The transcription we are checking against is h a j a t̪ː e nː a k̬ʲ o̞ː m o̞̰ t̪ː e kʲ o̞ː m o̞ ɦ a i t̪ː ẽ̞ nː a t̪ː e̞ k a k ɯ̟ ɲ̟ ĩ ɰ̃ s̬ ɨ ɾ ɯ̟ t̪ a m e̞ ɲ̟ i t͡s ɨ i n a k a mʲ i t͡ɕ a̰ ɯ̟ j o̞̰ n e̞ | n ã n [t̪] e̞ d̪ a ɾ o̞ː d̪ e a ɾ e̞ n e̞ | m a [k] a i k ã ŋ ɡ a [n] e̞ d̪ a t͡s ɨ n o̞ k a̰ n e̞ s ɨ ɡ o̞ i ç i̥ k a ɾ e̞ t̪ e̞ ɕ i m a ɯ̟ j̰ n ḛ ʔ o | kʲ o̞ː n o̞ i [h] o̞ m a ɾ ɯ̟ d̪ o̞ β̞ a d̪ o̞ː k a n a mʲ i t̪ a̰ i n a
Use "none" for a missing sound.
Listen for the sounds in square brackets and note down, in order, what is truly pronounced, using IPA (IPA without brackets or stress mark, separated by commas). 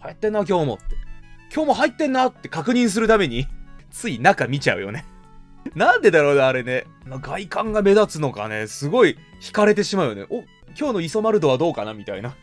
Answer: d̪, ɡ, m, s